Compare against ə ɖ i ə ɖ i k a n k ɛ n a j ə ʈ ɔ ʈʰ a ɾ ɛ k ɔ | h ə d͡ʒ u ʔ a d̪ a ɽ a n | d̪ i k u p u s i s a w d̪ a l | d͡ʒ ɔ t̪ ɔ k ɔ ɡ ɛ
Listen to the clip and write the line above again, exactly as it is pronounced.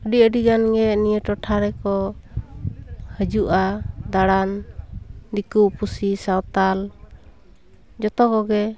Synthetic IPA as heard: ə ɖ i ə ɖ i ɡ a n ɡ ɛ n i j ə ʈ ɔ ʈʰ a ɾ ɛ k ɔ | h ə d͡ʒ u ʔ a d̪ a ɽ a n | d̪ i k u p u s i s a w t̪ a l | d͡ʒ ɔ t̪ ɔ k ɔ ɡ ɛ

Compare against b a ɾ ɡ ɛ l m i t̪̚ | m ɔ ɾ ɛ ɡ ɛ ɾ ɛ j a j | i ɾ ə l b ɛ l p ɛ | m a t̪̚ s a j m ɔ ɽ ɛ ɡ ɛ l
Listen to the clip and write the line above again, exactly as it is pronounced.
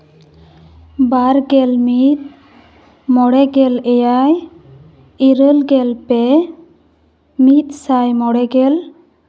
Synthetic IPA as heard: b a ɾ ɡ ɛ l m i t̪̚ | m ɔ ɽ ɛ ɡ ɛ l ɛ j a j | i ɾ ə l ɡ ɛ l p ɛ | m i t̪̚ s a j m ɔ ɽ ɛ ɡ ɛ l

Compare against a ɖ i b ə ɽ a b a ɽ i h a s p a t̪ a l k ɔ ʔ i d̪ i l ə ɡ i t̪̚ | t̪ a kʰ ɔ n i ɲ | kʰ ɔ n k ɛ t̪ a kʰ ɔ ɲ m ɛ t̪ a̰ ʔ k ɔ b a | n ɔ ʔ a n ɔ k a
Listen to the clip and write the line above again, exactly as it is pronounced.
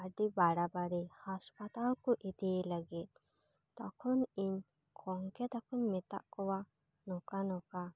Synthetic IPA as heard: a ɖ i b a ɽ a b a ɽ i h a s p a t̪ a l k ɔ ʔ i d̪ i l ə ɡ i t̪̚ | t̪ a kʰ ɔ n i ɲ | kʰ ɔ ŋ k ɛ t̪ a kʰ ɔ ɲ m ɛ t̪ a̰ ʔ k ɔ w a | n ɔ k a n ɔ k a

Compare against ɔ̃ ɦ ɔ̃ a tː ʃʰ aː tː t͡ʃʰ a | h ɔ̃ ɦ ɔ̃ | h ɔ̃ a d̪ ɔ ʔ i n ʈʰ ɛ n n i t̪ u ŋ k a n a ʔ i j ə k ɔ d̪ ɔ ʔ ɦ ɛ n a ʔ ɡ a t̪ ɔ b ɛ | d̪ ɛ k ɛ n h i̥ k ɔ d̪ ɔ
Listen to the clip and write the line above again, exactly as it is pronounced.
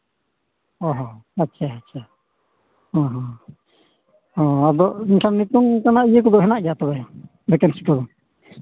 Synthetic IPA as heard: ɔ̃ ɦ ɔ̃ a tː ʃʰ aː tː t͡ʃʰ a | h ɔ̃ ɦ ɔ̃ | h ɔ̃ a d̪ ɔ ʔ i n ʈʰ a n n i t̪ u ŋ k a n a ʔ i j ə k ɔ d̪ ɔ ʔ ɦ ɛ n a ʔ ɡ a t̪ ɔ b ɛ | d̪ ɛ k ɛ n s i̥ k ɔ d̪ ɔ

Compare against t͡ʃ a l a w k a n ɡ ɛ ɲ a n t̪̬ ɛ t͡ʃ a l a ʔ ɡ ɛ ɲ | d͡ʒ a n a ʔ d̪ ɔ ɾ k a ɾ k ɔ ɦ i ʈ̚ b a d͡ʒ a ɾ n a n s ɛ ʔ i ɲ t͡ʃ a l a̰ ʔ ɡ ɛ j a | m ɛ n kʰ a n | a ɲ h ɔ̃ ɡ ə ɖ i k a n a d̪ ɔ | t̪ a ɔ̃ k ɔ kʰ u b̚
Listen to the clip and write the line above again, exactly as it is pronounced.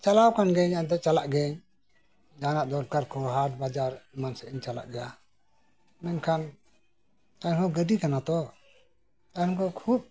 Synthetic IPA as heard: t͡ʃ a l a w k a n ɡ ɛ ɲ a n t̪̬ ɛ t͡ʃ a l a ʔ ɡ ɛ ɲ | d͡ʒ a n a ʔ d̪ ɔ ɾ k a ɾ k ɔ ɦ a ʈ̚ b a d͡ʒ a ɾ m a n s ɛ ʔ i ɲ t͡ʃ a l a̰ ʔ ɡ ɛ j a | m ɛ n kʰ a n | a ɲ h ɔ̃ ɡ ə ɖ i k a n a t̪ ɔ | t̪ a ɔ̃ k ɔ kʰ u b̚

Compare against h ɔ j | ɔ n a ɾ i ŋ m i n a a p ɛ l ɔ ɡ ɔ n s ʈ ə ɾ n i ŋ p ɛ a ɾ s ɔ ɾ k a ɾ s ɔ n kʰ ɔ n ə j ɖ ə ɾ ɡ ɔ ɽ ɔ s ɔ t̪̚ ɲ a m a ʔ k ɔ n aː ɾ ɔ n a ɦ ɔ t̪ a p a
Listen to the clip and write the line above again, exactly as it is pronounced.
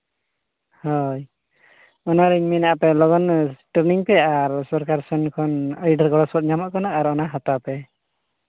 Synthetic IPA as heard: h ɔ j | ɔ n a ɾ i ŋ m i n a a p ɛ l ɔ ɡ ɔ n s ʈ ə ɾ n i ŋ p ɛ a ɾ s ɔ ɾ k a ɾ s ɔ n kʰ ɔ n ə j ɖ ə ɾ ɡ ɔ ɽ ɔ s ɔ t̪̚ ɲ a m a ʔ k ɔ n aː ɾ ɔ n a ɦ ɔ t̪ a p ɛ

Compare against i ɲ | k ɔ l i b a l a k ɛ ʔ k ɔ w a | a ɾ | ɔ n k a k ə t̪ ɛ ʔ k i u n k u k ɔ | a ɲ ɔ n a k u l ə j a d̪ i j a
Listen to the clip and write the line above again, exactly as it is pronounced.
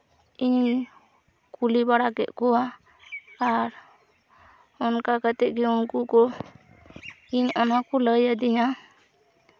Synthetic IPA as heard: i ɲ | k u l i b a ɽ a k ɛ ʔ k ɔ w a | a ɾ | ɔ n k a k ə t̪ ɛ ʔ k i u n k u k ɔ | i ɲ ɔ n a k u l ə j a d̪ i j a

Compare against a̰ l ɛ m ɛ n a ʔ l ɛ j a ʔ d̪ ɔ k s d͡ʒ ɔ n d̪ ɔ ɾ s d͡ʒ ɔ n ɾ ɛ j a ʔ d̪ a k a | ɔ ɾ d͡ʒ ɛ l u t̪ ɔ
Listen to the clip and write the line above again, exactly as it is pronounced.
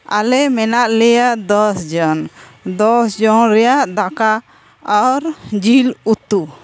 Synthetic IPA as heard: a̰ l ɛ m ɛ n a ʔ l ɛ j a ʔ d̪ ɔ s d͡ʒ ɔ n d̪ ɔ s d͡ʒ ɔ n ɾ ɛ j a ʔ d̪ a k a | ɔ ɾ d͡ʒ i l u t̪ u

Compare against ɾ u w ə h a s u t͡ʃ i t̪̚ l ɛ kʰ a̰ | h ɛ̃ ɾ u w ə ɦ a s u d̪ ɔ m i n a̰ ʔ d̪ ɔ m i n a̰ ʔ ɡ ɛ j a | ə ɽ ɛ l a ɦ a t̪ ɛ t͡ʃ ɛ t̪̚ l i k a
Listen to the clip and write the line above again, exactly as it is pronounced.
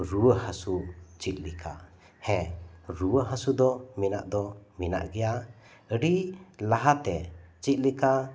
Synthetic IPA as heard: ɾ u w ə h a s u t͡ʃ i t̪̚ l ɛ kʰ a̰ | h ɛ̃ ɾ u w ə ɦ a s u d̪ ɔ m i n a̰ ʔ d̪ ɔ m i n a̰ ʔ ɡ ɛ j a | ə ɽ i l a ɦ a t̪ ɛ t͡ʃ i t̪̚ l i k a

